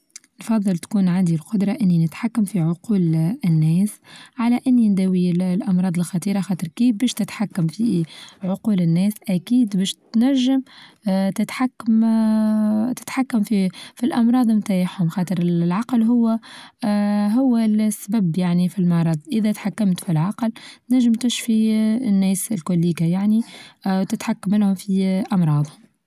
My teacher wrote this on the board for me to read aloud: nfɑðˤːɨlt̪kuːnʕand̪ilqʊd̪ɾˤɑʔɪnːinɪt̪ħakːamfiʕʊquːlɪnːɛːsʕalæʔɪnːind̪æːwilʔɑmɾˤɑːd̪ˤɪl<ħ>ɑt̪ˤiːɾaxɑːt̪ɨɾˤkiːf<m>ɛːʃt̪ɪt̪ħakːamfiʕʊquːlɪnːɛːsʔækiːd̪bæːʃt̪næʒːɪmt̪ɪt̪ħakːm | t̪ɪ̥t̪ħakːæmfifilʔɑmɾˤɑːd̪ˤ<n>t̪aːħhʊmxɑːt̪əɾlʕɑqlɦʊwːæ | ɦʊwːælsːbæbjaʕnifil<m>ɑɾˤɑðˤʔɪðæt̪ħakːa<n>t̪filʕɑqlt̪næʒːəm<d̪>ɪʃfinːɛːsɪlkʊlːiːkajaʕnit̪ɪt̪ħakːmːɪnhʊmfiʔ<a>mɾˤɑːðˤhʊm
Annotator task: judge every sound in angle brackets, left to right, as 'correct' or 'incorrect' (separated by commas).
incorrect, incorrect, incorrect, correct, incorrect, incorrect, incorrect